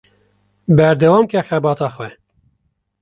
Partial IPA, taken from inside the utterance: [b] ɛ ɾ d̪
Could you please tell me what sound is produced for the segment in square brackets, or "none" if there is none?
b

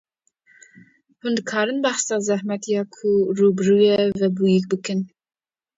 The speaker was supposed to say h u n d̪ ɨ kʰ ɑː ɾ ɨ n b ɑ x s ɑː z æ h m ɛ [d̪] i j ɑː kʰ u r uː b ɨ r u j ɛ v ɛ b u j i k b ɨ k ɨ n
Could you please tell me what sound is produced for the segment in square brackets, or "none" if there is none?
t̪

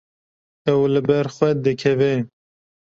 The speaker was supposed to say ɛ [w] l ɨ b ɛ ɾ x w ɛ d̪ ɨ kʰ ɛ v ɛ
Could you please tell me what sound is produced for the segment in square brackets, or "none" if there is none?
w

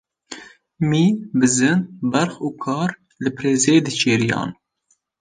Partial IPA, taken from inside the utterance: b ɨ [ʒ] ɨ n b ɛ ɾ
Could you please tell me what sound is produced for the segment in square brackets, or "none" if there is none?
z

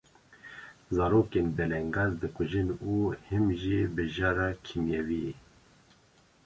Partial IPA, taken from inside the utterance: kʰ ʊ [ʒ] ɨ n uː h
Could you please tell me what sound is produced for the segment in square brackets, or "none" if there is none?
ʒ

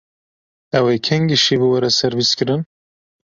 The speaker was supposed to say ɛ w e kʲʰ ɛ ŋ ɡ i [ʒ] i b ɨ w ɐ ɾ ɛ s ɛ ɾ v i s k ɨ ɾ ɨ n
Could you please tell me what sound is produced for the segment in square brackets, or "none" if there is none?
ʃ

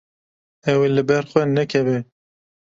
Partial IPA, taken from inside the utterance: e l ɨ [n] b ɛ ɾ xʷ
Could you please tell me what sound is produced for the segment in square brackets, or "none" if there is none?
none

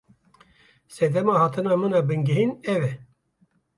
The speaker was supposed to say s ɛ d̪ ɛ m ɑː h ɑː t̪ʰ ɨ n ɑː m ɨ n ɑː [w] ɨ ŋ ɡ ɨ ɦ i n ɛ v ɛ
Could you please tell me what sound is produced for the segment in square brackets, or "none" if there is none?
b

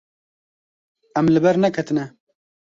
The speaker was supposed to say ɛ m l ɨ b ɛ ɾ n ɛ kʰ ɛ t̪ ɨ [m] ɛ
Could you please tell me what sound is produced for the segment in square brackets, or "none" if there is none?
n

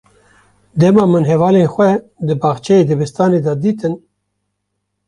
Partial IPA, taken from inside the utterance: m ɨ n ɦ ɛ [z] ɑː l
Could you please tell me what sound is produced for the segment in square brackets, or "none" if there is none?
v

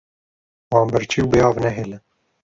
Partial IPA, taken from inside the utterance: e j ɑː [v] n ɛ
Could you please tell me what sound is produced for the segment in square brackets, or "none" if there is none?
v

